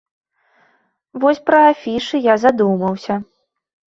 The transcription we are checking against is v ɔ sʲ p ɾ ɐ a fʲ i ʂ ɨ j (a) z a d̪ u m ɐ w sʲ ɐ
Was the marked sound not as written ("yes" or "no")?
no